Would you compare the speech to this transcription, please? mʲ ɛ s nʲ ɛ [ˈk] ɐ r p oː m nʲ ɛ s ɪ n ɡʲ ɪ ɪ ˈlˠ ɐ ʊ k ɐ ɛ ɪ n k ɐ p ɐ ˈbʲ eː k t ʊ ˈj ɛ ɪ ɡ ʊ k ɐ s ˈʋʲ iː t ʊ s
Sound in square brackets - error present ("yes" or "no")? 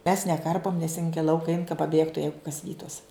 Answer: no